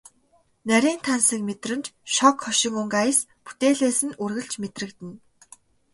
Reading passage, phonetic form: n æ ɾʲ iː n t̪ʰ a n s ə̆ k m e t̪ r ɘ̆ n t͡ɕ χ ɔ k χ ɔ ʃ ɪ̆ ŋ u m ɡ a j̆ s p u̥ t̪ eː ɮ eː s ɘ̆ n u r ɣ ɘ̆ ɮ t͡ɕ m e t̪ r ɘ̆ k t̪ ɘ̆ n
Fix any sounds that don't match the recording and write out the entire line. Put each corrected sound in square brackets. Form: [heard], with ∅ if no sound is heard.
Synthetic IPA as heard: n æ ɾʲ iː n t̪ʰ a n s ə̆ k m e t̪ r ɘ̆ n t͡ɕ [ʃ] ɔ k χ ɔ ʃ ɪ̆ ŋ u [ŋ] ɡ a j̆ s p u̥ t̪ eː ɮ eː s ɘ̆ n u r ɣ ɘ̆ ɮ t͡ɕ m e t̪ r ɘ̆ k t̪ ɘ̆ n